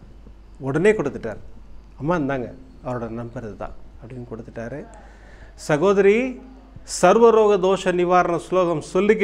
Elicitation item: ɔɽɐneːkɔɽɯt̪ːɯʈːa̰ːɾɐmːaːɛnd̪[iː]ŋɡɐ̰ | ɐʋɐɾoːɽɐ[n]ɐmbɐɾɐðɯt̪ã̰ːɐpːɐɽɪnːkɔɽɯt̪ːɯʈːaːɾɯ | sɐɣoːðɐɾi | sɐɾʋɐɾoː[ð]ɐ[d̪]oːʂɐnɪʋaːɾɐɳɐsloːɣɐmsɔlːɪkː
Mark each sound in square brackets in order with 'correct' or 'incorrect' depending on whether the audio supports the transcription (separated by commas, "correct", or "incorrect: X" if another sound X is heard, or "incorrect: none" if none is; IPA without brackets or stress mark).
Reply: incorrect: aː, correct, incorrect: ɣ, correct